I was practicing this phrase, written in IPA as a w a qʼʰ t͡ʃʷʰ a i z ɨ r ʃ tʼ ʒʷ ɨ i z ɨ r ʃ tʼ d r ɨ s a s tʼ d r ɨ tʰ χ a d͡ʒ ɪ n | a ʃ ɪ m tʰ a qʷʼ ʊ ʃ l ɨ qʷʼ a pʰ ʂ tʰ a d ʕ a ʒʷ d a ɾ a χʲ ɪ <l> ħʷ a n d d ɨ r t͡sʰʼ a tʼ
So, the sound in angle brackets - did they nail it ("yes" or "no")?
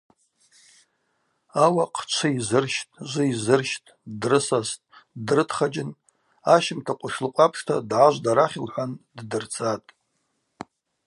yes